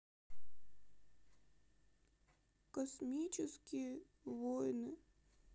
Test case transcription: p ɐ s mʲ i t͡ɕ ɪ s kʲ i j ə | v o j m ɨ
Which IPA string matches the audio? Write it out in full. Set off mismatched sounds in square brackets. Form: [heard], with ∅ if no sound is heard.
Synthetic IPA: [k] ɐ s mʲ i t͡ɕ ɪ s kʲ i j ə | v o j [n] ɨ

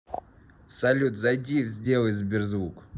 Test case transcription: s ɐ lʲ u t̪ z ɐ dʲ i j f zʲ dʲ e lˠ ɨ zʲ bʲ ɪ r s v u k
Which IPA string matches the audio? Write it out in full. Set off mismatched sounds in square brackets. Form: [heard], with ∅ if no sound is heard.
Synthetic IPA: s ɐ lʲ u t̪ z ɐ dʲ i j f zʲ dʲ e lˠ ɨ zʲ bʲ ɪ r [z] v u k

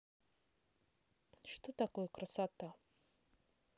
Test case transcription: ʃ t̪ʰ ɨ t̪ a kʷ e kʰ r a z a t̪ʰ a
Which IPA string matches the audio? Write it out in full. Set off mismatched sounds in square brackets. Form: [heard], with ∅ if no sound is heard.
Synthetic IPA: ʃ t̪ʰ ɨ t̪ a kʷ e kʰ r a [s] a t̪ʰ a

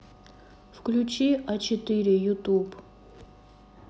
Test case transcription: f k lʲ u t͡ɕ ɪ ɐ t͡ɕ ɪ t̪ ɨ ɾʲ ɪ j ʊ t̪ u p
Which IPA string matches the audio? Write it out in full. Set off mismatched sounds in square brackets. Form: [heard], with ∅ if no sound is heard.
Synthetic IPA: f k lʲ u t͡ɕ [i] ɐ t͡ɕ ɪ t̪ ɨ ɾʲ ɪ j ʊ t̪ u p

